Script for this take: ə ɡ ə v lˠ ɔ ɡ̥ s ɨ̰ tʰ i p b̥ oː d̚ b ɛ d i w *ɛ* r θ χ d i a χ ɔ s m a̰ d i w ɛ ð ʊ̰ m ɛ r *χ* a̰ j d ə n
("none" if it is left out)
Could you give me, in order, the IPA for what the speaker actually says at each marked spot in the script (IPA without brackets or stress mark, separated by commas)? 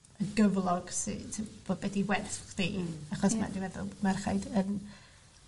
ɛ, χ